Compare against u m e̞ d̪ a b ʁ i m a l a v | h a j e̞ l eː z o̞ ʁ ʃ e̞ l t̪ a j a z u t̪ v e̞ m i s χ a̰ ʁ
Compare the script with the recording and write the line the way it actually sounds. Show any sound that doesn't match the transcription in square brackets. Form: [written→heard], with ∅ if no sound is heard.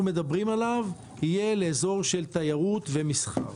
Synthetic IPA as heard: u m e̞ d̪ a b ʁ i m a l a v | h [a→i] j e̞ l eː z o̞ ʁ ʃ e̞ l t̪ a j a [z→ʁ] u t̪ v e̞ m i s χ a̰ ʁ